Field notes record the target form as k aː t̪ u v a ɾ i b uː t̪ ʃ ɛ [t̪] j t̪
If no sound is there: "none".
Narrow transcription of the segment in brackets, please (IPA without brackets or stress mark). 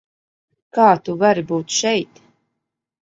none